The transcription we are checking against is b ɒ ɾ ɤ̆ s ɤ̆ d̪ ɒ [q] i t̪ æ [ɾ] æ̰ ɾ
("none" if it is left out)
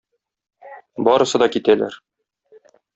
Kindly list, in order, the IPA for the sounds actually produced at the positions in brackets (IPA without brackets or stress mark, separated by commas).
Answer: k, l